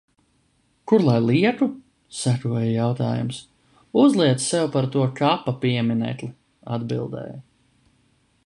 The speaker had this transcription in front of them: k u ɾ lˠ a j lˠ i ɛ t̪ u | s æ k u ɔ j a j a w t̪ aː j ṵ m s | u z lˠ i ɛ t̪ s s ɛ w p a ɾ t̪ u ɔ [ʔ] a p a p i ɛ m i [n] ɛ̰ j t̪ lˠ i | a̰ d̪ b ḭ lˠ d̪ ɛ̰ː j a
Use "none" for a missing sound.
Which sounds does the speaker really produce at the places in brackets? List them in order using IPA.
k, n

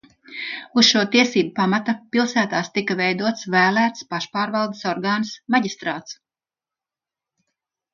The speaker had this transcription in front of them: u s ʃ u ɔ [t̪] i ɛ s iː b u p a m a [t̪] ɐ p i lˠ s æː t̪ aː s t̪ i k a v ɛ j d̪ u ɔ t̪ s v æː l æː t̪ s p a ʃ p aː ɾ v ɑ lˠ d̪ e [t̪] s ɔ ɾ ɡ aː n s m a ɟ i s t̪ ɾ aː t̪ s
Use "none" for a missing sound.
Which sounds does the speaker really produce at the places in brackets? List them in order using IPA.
t̪, t̪, none

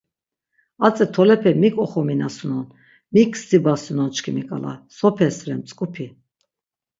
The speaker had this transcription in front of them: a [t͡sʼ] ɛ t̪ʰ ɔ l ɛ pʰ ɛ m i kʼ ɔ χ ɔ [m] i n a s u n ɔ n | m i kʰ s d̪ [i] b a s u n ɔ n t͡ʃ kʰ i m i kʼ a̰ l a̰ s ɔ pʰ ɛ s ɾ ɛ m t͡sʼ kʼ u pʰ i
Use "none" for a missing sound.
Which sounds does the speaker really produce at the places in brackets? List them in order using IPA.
t͡sʼ, m, i

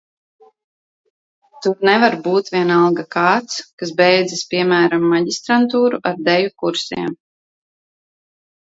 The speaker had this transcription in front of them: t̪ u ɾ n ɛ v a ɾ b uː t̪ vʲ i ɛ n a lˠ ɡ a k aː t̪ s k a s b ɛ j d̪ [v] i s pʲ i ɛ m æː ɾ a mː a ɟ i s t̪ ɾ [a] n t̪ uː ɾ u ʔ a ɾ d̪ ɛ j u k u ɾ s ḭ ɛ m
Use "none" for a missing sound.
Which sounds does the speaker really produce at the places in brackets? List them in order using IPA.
z, a

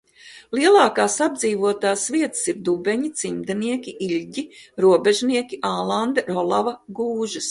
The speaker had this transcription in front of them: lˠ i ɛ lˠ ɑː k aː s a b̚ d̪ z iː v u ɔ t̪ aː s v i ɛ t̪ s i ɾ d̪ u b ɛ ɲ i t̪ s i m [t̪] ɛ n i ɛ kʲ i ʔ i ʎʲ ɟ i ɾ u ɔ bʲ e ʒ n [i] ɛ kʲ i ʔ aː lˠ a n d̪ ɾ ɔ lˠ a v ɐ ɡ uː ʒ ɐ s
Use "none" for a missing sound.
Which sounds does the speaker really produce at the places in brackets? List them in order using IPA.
d̪, i

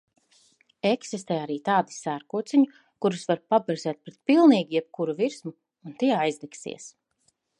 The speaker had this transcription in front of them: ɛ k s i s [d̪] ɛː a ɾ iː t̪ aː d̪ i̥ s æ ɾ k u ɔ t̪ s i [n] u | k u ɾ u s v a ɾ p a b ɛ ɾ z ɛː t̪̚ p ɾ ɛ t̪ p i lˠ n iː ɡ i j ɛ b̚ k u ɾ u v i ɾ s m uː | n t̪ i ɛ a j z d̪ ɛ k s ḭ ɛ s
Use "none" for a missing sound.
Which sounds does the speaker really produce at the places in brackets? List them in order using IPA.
t̪, ɲ

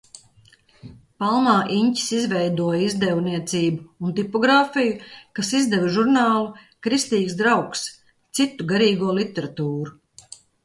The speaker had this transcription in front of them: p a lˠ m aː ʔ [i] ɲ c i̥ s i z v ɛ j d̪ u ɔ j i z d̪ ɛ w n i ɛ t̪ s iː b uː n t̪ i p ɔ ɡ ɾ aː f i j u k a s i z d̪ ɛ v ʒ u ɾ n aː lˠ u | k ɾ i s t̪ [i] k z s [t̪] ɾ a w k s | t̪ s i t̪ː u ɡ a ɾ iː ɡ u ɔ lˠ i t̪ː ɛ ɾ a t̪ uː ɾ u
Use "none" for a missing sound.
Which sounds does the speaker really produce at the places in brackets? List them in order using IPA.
i, iː, d̪

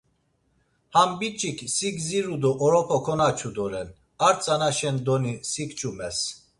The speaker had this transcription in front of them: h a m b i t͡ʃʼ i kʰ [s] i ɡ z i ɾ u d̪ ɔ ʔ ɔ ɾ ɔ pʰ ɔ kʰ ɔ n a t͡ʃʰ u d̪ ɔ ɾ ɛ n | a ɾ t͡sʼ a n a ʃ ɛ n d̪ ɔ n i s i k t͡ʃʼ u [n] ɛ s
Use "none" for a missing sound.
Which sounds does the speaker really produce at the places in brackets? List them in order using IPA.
s, m

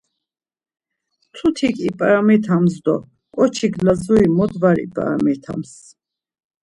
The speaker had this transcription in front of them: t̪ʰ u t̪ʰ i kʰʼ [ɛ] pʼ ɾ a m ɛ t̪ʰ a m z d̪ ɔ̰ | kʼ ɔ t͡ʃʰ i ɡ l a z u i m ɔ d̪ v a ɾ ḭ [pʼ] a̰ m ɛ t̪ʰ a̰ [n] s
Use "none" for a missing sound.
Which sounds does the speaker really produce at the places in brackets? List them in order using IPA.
i, pʼ, m

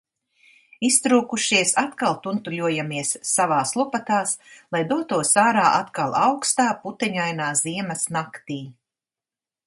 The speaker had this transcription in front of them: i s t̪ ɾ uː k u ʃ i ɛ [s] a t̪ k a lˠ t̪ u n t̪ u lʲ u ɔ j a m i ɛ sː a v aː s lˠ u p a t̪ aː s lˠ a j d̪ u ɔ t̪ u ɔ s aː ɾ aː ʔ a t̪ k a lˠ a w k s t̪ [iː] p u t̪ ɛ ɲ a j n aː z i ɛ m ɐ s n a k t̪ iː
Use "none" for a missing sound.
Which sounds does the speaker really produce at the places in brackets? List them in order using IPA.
s, aː

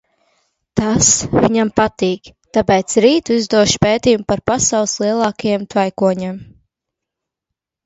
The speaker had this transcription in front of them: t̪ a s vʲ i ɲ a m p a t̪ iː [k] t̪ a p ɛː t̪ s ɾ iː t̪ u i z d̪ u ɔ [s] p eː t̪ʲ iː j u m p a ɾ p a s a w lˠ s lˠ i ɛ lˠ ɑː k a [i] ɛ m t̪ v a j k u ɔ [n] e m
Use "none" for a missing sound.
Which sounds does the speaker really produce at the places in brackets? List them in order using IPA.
k, ʃ, j, ɲ

